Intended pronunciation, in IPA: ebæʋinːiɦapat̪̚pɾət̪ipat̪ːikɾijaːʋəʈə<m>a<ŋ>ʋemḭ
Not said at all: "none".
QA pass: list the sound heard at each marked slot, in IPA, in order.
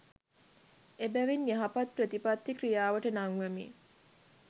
n, ŋ

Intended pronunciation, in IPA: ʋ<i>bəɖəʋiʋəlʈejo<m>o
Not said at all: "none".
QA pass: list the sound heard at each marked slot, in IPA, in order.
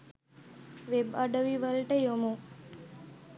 e, m

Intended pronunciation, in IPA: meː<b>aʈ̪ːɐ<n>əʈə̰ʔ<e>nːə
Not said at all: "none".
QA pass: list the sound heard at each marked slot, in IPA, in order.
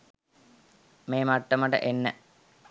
m, m, e

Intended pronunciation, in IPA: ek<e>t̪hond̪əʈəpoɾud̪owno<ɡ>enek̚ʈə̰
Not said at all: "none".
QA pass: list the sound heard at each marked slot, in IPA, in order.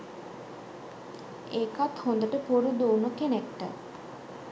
a, k

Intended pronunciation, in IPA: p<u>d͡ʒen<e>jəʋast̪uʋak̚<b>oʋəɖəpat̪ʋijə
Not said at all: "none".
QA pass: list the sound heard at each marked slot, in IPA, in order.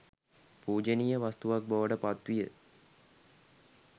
uː, i, b

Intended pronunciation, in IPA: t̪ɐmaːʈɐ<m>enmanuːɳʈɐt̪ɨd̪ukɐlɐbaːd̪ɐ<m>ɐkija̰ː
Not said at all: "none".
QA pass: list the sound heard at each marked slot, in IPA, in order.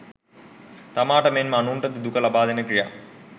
m, n

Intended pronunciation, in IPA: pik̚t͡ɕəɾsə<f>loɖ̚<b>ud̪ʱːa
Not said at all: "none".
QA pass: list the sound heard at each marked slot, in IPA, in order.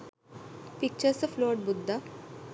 f, b

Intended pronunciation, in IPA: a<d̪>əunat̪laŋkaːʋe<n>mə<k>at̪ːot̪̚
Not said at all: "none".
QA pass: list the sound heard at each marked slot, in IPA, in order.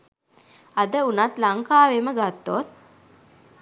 d̪, none, ɡ

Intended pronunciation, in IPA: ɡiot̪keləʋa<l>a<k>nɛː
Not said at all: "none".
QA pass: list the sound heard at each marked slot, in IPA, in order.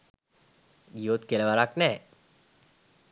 ɾ, k

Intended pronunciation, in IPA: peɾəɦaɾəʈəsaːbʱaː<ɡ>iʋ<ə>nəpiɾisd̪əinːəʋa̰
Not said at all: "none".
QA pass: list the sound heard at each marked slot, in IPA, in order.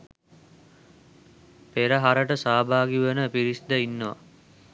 ɡ, ə

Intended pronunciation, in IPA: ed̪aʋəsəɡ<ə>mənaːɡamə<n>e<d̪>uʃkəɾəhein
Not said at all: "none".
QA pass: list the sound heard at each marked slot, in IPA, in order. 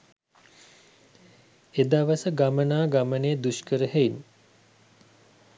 a, n, d̪

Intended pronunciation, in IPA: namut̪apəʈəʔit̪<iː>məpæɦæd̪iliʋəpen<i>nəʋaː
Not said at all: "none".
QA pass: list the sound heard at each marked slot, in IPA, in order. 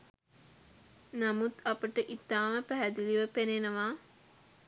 aː, e

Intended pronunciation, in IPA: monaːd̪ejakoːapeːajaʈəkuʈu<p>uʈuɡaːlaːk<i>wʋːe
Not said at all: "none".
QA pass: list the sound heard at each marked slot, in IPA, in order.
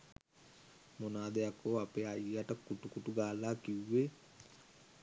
k, i

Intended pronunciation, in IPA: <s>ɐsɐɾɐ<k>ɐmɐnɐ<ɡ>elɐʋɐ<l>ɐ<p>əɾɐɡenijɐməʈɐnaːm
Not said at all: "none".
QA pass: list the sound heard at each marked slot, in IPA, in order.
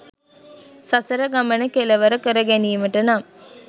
s, ɡ, k, ɾ, k

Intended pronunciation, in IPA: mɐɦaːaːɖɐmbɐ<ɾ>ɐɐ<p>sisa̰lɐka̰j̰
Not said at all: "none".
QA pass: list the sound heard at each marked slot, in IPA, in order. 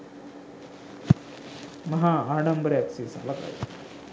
ɾ, k

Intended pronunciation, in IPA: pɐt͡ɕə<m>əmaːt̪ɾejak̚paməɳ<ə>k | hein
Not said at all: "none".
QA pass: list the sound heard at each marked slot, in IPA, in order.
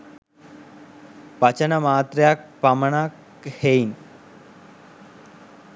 n, a

